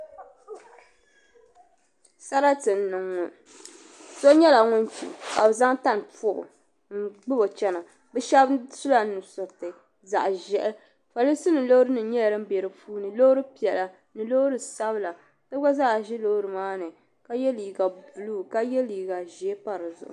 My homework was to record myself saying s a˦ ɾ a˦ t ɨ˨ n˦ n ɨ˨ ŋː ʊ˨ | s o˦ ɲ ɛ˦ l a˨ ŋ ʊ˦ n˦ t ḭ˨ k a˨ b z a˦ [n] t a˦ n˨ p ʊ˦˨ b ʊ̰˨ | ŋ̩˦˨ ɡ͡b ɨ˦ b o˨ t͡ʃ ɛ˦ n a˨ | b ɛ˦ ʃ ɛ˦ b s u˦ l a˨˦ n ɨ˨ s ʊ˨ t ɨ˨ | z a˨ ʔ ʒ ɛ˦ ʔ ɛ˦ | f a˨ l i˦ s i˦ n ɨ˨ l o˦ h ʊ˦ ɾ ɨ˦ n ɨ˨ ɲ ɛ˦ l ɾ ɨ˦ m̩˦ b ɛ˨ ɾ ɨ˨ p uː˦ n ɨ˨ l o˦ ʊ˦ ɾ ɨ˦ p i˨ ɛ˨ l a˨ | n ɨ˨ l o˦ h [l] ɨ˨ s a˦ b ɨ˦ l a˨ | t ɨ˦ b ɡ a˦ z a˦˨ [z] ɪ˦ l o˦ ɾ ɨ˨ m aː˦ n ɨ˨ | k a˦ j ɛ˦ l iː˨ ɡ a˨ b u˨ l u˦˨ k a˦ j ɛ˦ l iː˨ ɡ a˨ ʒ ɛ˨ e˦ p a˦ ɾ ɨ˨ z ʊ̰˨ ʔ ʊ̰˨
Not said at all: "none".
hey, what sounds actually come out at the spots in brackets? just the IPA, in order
ŋ, ɾ, ʒ

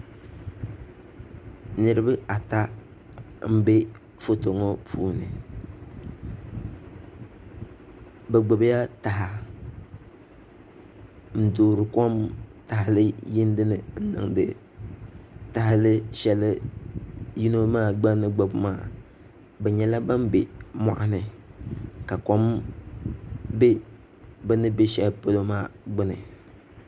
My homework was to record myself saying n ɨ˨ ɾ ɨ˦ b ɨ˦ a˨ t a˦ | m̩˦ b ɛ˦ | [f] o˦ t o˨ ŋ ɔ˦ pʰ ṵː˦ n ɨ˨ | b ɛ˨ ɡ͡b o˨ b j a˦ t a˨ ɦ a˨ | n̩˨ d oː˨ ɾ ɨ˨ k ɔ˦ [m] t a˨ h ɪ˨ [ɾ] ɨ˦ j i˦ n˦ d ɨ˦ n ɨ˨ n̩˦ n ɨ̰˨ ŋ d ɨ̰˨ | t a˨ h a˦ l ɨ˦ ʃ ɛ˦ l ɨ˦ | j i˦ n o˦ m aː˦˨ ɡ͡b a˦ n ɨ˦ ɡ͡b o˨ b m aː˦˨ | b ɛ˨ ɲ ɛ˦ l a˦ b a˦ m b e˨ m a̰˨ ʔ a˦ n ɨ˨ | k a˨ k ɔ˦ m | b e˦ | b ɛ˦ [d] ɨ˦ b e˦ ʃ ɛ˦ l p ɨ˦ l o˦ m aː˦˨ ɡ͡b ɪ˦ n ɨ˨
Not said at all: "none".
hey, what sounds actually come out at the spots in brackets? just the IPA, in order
f, m, l, n

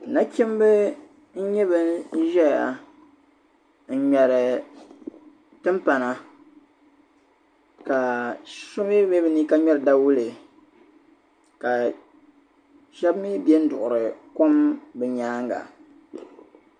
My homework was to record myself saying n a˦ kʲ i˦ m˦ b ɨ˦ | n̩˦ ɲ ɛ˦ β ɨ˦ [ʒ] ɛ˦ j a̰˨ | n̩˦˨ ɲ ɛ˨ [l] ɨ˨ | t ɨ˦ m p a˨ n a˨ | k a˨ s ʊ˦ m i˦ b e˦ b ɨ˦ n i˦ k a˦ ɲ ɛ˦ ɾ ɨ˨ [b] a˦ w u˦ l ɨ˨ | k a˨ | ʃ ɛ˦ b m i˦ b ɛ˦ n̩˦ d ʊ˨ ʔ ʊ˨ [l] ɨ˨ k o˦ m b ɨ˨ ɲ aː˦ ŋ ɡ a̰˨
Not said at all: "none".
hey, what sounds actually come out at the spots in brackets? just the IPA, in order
ʒ, ɾ, d, ɾ

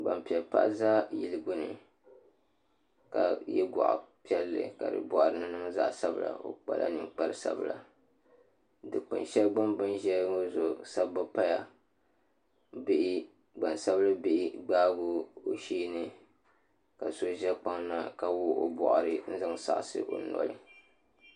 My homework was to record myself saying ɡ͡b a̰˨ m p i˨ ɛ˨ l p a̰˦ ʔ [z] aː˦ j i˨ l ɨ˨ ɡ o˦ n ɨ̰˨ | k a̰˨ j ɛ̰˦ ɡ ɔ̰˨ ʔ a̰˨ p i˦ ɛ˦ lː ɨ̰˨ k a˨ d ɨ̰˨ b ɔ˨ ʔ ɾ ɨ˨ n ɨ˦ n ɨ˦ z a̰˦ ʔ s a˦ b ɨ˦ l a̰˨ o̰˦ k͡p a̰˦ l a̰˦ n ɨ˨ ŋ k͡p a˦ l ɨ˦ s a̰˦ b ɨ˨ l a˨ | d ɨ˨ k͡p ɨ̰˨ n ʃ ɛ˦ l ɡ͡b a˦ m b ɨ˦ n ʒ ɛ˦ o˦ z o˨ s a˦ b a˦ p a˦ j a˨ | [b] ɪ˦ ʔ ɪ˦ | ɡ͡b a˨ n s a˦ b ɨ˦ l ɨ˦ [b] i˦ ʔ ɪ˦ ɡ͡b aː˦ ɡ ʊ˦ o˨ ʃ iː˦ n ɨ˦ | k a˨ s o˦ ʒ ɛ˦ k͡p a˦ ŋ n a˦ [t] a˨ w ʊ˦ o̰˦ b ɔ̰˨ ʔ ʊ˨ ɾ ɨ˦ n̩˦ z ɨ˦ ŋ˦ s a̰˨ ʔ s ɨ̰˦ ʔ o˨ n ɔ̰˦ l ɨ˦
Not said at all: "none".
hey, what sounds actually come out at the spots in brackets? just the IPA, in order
z, b, b, k

